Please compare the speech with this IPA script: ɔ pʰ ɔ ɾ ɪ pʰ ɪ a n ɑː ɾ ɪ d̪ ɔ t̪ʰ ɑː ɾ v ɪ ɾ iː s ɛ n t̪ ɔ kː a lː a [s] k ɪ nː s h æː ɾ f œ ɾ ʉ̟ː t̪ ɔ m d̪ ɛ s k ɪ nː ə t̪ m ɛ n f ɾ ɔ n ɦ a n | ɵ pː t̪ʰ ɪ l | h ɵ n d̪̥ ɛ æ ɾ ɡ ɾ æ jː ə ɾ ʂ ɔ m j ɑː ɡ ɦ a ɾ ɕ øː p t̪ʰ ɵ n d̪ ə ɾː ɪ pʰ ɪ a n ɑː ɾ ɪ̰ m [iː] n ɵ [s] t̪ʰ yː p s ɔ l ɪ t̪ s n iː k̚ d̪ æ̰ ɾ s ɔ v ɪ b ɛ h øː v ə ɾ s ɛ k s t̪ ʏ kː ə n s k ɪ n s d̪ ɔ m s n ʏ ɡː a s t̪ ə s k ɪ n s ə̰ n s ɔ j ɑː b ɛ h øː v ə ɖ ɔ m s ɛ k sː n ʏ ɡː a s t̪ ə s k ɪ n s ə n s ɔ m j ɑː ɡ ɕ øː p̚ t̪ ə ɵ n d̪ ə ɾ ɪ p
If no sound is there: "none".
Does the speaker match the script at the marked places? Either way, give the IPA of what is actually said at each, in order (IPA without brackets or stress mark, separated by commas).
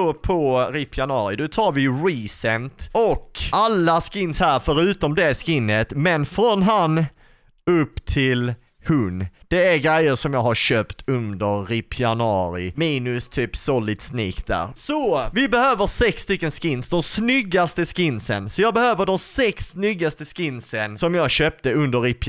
s, iː, s